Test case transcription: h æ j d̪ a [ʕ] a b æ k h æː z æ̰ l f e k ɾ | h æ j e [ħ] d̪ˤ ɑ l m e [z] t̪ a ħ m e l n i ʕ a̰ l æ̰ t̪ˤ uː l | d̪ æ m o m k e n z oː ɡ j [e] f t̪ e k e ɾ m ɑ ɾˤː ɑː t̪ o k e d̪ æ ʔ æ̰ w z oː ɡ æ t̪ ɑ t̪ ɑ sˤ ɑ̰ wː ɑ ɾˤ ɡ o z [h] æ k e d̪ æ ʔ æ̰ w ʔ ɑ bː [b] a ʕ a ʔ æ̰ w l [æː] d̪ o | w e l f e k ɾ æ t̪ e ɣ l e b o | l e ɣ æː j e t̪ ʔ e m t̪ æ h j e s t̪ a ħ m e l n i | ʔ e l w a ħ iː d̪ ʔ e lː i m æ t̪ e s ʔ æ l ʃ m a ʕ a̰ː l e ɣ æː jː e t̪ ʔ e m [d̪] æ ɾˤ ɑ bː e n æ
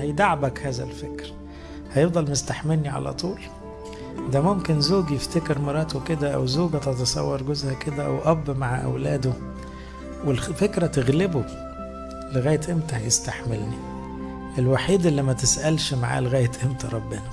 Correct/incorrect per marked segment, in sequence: correct, incorrect, incorrect, correct, correct, incorrect, correct, incorrect

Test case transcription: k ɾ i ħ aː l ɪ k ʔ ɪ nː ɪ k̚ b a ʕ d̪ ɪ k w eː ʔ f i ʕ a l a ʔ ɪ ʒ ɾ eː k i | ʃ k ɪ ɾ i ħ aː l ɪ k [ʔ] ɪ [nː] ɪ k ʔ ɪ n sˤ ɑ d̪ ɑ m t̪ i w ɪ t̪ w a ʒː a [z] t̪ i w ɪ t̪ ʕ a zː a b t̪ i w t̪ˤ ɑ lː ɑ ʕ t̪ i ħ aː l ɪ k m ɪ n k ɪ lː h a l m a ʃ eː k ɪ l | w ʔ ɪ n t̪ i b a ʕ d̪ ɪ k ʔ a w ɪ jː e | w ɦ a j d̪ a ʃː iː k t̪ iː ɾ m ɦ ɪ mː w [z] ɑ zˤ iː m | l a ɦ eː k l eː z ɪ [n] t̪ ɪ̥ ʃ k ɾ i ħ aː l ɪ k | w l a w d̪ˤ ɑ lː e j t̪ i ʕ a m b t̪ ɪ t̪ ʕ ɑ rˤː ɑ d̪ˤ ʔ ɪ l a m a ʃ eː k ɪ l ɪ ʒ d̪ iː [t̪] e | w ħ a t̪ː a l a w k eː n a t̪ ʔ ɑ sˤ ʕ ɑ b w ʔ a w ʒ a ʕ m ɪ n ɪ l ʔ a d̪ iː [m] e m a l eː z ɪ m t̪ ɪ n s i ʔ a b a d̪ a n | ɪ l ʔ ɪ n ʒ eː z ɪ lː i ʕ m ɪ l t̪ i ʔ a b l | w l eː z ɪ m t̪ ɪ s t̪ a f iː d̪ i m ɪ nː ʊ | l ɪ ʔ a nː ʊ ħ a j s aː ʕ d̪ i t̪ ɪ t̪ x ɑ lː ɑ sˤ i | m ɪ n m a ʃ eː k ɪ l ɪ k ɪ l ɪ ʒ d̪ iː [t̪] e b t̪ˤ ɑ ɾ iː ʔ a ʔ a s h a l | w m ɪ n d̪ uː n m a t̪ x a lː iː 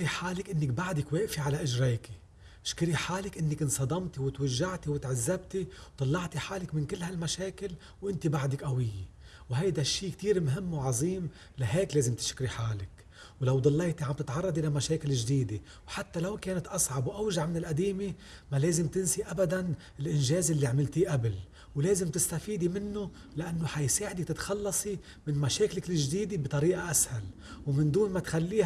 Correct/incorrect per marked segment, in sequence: correct, correct, incorrect, incorrect, incorrect, incorrect, correct, incorrect

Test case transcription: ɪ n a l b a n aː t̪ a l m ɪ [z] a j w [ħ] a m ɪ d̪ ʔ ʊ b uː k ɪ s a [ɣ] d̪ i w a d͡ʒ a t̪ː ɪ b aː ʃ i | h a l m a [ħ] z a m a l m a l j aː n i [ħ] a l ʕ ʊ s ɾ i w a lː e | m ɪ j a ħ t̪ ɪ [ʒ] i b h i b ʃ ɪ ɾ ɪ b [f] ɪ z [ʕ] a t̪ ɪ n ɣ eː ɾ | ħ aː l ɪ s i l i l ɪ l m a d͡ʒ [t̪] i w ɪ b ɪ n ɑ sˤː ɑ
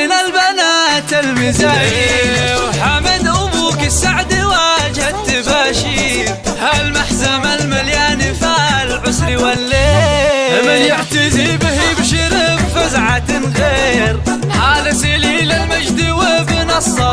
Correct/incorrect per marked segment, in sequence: correct, correct, incorrect, correct, incorrect, incorrect, correct, correct, incorrect

